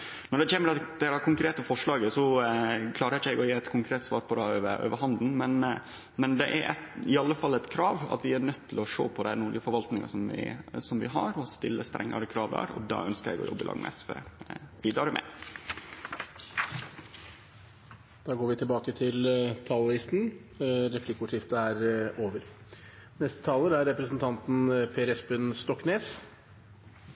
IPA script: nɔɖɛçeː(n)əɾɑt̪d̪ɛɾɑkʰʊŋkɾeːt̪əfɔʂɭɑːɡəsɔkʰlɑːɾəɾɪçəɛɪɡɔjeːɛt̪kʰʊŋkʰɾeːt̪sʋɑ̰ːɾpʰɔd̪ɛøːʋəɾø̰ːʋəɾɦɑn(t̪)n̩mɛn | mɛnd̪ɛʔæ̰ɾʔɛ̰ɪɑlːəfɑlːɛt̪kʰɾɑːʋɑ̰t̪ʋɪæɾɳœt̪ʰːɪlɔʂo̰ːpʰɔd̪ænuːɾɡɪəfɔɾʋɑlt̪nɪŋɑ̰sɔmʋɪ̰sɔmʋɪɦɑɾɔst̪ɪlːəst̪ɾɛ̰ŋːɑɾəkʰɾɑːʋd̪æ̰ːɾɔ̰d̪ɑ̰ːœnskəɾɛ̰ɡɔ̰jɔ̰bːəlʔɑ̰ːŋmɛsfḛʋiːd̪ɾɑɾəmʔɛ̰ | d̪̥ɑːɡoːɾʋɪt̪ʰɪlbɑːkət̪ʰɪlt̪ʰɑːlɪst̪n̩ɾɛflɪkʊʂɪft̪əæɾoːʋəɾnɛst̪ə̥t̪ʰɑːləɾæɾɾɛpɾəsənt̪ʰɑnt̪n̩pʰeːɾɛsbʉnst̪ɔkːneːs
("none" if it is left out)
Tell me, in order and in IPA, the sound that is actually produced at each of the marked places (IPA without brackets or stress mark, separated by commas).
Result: m, d̪